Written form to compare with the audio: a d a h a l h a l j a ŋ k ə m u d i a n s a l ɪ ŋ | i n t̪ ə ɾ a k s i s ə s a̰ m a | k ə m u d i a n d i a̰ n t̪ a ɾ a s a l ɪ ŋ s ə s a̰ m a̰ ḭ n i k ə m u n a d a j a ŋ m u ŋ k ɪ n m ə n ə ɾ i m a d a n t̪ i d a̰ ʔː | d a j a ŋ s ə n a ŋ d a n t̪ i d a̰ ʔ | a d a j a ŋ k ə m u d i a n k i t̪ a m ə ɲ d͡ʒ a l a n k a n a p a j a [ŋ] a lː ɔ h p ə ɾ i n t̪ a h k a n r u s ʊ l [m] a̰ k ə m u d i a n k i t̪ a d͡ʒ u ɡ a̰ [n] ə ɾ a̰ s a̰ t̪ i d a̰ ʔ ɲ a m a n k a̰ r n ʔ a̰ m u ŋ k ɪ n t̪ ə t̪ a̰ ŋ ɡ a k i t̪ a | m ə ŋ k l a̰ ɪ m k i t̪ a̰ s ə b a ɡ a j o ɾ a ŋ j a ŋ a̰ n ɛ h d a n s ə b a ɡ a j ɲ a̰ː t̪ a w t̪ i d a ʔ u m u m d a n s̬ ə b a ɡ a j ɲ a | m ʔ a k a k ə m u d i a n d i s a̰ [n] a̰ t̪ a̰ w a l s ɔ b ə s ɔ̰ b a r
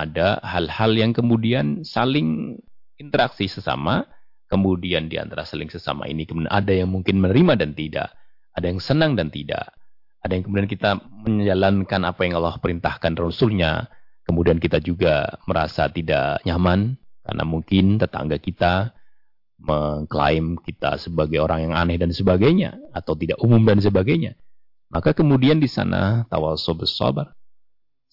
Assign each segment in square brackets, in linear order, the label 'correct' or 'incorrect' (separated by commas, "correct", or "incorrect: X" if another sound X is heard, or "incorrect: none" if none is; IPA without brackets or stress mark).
correct, incorrect: ɲ, incorrect: m, correct